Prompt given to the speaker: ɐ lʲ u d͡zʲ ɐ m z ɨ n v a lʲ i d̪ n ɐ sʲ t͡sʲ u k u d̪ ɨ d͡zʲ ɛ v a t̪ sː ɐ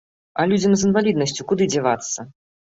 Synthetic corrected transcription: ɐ lʲ u d͡zʲ ɐ m z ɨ n v a lʲ i d̪ n ɐ sʲ t͡sʲ u k u d̪ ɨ d͡zʲ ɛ v a t̪ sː ɐ